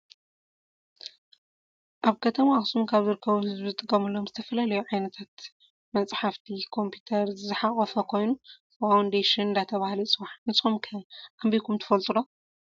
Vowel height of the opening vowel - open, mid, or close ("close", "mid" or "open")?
open